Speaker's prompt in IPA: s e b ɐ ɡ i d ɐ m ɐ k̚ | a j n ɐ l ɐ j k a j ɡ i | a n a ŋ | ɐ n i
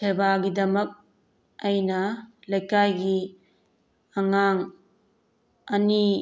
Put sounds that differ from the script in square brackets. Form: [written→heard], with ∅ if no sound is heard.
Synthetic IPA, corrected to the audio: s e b [ɐ→a] ɡ i d ɐ m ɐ k̚ | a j n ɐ l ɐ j k a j ɡ i | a [n→ŋ] a ŋ | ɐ n i